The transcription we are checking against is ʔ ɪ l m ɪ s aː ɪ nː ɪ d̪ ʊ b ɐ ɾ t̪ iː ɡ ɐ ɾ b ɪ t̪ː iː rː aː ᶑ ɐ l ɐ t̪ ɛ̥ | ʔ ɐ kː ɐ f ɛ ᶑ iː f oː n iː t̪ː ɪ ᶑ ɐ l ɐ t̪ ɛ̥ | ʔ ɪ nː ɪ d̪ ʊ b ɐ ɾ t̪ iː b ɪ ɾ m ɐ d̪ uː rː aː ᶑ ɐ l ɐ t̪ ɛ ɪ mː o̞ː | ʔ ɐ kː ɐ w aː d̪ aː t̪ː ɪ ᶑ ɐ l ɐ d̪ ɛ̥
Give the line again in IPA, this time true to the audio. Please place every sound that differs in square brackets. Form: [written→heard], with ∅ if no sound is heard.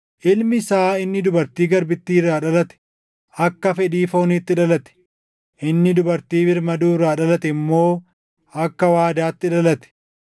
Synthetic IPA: ʔ ɪ l m ɪ s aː ɪ nː ɪ d̪ ʊ b ɐ ɾ t̪ iː ɡ ɐ ɾ b ɪ t̪ː iː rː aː ᶑ ɐ l ɐ t̪ ɛ̥ | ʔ ɐ kː ɐ f ɛ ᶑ iː f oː n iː t̪ː ɪ ᶑ ɐ l ɐ t̪ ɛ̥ | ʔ ɪ nː ɪ d̪ ʊ b ɐ ɾ t̪ iː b ɪ ɾ m ɐ d̪ uː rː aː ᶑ ɐ l ɐ t̪ ɛ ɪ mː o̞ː | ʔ ɐ kː ɐ w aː d̪ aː t̪ː ɪ ᶑ ɐ l ɐ [d̪→t̪] ɛ̥